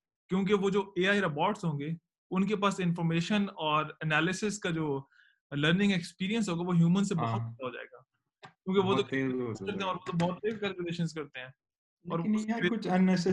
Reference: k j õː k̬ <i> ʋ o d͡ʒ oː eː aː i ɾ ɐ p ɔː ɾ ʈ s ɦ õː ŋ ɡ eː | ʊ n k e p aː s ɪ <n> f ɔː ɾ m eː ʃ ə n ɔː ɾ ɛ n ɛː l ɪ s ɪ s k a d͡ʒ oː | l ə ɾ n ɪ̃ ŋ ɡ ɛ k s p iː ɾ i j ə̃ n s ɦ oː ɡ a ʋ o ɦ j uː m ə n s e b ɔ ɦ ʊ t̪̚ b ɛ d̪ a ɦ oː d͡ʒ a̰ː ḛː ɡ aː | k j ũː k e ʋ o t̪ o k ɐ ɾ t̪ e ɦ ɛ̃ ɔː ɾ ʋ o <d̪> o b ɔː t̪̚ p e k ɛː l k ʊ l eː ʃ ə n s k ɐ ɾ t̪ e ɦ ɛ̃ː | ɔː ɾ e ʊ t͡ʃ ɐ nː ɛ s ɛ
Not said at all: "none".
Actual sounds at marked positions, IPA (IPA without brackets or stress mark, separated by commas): e, n, t̪